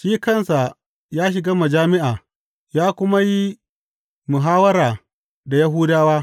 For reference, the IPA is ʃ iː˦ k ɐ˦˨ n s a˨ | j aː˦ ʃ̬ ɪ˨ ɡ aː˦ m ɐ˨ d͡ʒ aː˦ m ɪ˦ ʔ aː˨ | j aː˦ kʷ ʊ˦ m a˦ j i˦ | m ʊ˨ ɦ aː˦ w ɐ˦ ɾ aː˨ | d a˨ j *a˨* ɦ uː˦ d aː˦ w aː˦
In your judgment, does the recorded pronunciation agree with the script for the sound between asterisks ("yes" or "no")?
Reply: no